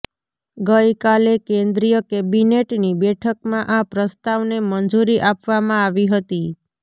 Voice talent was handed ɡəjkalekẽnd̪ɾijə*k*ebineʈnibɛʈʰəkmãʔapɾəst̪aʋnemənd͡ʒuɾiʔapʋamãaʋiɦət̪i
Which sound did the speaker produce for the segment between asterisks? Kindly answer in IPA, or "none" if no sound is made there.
k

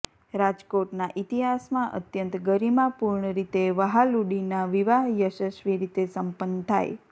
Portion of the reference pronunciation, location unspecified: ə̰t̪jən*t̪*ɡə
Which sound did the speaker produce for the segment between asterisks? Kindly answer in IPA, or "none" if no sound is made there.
t̪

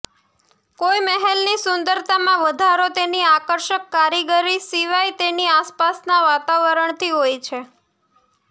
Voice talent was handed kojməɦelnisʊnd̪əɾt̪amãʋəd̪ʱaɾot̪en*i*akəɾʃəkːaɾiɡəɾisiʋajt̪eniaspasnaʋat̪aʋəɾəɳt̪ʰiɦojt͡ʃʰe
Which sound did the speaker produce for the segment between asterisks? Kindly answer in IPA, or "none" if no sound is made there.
i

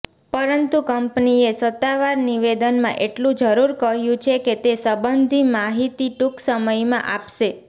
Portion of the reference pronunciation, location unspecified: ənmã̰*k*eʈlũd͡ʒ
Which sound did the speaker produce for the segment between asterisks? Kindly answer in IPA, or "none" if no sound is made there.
ʔ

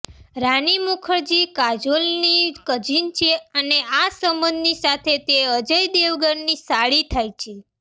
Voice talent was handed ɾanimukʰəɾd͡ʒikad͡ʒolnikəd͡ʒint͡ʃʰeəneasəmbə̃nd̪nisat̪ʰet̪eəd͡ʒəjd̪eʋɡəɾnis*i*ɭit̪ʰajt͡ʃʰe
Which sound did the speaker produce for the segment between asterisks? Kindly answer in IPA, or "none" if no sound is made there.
a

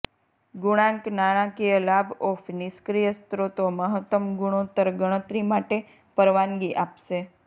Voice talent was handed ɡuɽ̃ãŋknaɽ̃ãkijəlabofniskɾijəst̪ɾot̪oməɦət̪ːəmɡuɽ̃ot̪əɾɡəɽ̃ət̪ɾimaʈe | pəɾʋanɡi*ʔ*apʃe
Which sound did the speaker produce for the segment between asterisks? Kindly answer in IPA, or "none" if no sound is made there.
ʔ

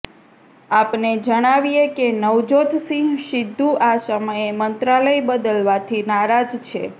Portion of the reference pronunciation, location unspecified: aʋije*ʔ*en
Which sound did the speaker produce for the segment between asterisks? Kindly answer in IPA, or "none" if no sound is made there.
k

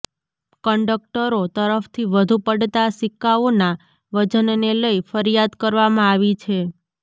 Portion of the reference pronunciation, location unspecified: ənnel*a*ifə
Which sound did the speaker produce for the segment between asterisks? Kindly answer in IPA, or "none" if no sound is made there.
ə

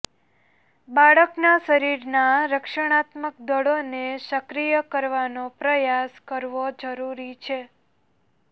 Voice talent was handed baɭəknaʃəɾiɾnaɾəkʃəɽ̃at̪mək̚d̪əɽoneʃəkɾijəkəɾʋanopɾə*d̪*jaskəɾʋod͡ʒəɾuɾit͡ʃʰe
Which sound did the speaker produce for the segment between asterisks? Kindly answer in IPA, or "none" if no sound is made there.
none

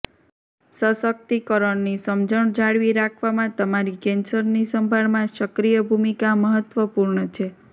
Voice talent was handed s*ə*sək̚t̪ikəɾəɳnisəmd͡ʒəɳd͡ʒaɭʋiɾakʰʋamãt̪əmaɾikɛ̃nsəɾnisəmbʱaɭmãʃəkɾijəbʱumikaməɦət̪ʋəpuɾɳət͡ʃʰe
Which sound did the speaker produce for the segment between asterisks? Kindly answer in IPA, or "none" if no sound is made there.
ə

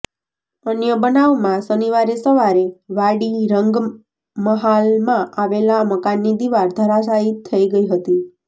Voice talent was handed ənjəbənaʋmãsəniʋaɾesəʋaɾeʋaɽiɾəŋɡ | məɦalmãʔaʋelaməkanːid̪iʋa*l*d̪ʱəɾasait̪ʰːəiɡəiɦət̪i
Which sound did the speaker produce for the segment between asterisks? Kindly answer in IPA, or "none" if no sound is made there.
ɾ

